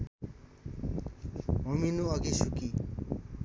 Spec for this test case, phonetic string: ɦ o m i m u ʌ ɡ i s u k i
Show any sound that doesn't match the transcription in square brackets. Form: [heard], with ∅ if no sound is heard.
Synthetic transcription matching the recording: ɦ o m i [n] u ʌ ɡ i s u k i